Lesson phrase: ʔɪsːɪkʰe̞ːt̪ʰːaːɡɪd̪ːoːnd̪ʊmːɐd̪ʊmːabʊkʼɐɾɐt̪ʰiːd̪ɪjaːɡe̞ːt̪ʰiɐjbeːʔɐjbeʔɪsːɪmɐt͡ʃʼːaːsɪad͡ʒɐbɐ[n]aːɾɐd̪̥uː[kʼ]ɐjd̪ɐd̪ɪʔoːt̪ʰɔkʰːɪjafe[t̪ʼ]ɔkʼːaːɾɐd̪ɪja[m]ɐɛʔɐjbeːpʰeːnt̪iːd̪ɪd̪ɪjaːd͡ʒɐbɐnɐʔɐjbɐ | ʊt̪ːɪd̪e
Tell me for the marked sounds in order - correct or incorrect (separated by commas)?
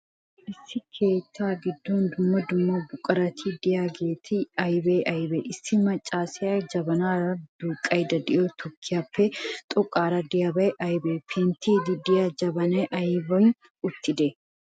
correct, correct, correct, incorrect